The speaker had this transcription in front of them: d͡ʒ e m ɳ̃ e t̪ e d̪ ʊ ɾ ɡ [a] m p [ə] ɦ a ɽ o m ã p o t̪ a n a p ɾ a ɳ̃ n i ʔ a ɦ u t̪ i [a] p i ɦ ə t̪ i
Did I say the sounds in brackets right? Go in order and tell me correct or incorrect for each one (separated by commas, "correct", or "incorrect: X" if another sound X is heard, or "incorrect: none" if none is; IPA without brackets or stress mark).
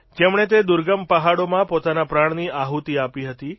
incorrect: ə, correct, correct